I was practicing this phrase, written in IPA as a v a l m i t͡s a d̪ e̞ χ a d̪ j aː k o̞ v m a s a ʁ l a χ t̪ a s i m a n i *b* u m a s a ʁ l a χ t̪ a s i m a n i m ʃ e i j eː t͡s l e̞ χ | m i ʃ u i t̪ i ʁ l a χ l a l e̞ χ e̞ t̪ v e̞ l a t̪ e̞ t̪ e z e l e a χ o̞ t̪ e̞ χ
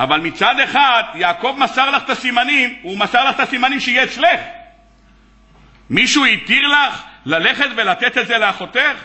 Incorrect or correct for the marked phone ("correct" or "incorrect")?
incorrect